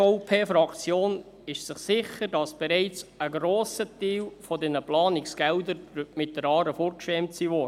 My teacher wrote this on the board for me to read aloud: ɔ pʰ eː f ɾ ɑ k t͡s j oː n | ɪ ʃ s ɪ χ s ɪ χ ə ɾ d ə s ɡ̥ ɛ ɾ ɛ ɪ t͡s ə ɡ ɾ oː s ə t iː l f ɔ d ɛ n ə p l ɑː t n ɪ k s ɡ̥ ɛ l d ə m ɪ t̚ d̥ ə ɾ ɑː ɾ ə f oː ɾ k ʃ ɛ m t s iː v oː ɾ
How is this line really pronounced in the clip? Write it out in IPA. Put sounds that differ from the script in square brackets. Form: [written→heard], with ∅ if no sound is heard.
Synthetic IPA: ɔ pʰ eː f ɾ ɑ k t͡s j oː n | ɪ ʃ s ɪ χ s ɪ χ ə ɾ d [ə→ɑ] s [ɡ̥→b̥] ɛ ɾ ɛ ɪ t͡s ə ɡ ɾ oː s ə t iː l f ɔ d ɛ n ə p l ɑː [t→∅] n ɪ k s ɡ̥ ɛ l d ə m ɪ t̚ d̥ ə ɾ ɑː ɾ ə f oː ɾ k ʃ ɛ m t s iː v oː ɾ